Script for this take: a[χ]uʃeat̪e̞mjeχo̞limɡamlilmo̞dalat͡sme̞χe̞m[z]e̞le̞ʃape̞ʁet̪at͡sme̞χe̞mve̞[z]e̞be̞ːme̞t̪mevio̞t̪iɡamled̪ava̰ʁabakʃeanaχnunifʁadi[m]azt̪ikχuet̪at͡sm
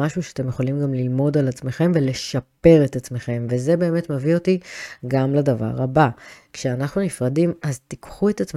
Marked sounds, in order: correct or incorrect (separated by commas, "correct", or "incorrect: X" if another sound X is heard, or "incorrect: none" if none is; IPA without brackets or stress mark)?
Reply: incorrect: ʃ, incorrect: v, correct, correct